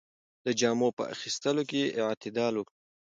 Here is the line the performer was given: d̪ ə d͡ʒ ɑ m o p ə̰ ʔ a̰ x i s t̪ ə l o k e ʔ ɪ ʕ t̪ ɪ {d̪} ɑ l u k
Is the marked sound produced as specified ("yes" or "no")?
yes